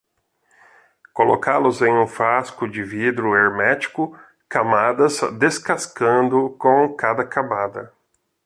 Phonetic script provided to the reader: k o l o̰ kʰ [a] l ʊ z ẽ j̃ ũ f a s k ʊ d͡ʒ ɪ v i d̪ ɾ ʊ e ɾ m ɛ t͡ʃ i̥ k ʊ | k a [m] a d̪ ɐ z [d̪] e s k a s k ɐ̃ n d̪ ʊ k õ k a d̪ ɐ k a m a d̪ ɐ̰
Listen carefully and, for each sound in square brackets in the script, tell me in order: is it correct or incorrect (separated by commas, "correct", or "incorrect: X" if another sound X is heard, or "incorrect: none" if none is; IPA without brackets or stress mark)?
correct, correct, correct